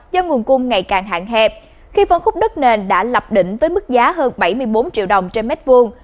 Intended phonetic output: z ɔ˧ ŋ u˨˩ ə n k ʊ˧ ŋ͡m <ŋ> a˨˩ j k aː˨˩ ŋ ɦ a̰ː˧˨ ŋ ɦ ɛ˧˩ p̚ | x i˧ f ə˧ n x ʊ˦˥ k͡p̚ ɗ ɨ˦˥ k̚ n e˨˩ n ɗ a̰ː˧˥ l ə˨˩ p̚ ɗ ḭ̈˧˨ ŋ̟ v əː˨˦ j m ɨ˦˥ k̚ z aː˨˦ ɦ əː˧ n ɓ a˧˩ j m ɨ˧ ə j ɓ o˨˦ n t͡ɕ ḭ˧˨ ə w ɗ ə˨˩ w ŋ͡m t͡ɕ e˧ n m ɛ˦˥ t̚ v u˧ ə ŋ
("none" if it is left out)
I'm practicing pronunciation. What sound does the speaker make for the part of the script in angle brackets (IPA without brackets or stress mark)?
ŋ